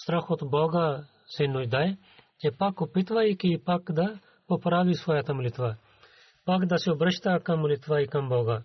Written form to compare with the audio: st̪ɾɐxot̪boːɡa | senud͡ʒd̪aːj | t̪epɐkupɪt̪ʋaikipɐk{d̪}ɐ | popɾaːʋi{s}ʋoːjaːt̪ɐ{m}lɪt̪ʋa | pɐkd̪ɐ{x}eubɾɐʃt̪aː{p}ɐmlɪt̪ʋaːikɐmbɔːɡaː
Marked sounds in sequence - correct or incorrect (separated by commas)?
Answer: correct, correct, correct, incorrect, incorrect